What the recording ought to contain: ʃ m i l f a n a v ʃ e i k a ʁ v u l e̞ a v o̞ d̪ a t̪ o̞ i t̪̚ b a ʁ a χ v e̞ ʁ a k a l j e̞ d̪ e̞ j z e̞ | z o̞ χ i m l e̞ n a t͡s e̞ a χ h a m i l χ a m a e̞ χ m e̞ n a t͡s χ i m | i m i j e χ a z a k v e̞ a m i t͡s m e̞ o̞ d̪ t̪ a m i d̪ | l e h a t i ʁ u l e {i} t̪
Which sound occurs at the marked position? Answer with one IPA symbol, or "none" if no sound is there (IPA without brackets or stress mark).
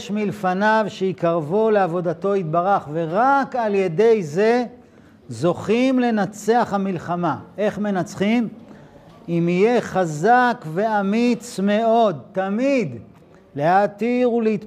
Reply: i